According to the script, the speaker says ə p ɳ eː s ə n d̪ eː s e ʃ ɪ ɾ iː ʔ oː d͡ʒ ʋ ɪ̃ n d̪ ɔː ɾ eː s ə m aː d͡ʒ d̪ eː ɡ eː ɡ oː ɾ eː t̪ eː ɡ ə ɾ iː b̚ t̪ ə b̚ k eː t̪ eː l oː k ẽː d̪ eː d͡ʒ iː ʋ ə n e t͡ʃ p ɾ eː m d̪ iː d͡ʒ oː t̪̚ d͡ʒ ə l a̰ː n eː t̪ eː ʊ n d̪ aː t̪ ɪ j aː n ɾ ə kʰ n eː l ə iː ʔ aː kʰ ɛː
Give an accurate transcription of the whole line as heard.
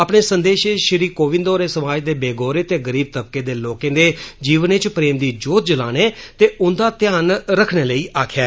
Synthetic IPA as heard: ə p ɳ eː s ə n d̪ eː ʃ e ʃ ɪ ɾ iː k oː ʋ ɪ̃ n d̪ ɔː ɾ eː s ə m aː d͡ʒ d̪ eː b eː ɡ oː ɾ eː t̪ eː ɡ ə ɾ iː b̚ t̪ ə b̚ k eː d̪ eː l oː k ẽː d̪ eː d͡ʒ iː ʋ ə n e t͡ʃ p ɾ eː m d̪ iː d͡ʒ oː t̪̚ d͡ʒ ə l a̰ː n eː t̪ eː ʊ n d̪ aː t̪ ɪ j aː n ɾ ə kʰ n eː l ə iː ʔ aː kʰ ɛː